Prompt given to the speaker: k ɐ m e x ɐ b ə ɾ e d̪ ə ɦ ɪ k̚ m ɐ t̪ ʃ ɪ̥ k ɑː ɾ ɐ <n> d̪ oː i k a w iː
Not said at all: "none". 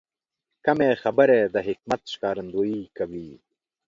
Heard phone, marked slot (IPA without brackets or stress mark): n